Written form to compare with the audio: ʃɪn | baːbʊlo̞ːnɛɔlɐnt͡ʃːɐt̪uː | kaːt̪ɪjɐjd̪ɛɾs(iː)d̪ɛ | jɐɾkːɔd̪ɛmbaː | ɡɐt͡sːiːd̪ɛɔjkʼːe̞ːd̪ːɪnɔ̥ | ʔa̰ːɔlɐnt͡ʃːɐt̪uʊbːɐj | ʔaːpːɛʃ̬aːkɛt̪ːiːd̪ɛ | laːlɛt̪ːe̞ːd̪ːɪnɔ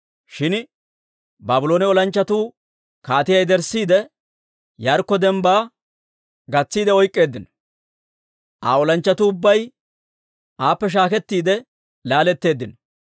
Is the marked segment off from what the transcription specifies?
no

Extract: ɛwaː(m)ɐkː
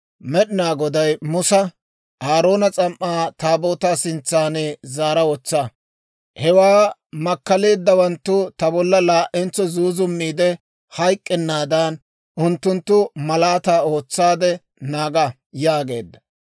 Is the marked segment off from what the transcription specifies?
no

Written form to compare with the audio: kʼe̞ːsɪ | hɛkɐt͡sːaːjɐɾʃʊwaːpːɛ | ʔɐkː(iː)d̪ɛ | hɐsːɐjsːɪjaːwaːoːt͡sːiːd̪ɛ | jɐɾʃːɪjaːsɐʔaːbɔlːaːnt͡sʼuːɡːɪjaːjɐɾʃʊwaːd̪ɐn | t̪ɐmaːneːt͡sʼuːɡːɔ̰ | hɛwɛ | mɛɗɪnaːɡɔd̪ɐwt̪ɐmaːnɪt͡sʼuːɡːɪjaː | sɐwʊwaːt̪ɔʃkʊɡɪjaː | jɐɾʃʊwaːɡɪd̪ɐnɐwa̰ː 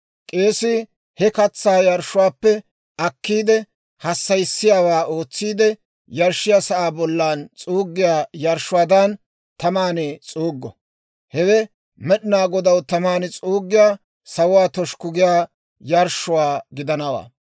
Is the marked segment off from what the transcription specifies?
no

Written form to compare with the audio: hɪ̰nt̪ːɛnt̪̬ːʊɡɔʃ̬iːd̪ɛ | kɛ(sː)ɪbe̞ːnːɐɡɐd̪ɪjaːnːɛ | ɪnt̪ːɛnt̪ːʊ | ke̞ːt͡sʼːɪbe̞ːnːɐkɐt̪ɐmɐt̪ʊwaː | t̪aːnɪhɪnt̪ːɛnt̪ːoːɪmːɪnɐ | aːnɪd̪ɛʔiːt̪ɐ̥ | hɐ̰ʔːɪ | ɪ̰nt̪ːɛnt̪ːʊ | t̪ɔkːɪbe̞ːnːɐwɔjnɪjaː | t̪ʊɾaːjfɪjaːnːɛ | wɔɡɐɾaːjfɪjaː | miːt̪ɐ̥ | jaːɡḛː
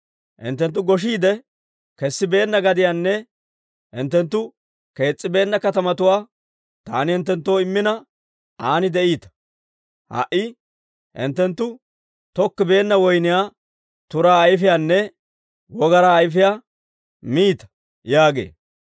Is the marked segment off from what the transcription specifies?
no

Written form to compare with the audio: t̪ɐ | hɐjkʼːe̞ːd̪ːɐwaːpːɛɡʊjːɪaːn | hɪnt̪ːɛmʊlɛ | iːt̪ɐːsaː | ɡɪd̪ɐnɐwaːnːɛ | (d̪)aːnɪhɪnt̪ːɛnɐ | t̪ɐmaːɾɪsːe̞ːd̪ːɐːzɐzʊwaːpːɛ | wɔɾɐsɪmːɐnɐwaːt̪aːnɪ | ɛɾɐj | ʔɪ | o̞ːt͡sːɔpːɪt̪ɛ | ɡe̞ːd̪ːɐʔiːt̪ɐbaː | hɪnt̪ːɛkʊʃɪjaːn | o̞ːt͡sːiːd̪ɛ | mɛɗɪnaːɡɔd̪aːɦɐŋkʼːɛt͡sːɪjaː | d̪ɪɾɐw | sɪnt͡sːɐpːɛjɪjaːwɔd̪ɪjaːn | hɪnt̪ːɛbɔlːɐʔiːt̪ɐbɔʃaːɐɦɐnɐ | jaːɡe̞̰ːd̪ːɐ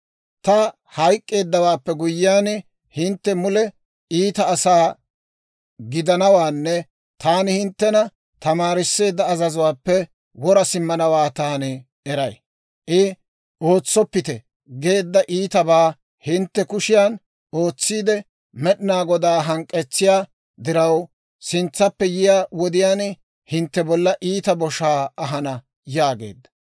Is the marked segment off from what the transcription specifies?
yes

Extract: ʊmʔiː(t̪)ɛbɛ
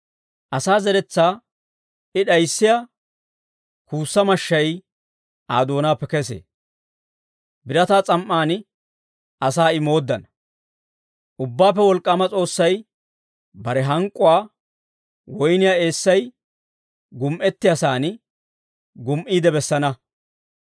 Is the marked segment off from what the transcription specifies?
yes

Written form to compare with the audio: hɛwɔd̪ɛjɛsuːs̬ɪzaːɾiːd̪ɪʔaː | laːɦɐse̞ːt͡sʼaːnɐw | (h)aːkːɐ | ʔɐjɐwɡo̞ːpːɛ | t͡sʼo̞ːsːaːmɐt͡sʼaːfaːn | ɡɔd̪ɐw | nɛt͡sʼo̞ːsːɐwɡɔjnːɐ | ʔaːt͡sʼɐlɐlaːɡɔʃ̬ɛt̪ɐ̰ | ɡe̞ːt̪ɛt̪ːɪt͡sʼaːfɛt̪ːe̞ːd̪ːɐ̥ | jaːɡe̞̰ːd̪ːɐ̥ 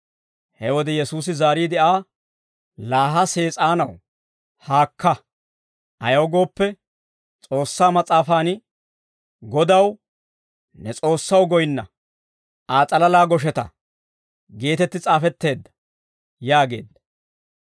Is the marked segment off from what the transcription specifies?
no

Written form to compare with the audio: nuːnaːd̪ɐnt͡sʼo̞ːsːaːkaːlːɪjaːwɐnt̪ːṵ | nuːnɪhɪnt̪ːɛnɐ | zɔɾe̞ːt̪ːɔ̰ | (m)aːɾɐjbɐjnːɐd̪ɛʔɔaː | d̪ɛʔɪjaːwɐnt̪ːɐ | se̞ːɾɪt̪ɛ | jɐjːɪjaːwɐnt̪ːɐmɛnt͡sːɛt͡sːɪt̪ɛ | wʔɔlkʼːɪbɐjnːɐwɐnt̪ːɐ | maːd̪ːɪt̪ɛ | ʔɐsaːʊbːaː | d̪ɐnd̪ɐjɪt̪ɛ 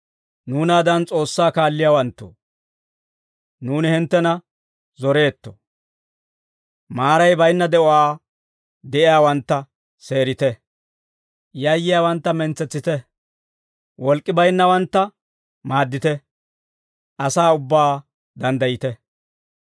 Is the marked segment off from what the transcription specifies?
no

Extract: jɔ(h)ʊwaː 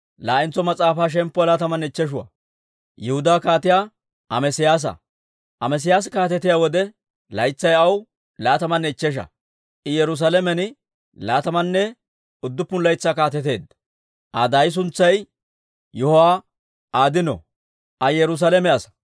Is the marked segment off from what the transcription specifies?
no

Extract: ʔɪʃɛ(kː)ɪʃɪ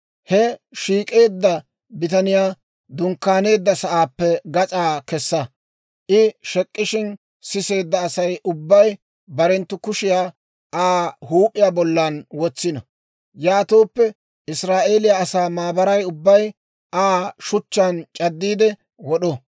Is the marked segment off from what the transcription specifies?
yes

